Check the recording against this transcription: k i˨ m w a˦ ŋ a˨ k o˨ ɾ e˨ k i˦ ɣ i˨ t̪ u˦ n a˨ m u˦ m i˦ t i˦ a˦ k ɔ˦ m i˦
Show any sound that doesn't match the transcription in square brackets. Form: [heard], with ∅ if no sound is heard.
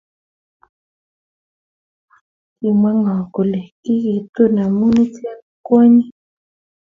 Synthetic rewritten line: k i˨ m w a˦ ŋ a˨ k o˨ [l] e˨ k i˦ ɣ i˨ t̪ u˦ n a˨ m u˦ [n] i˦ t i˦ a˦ k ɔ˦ [ɲ] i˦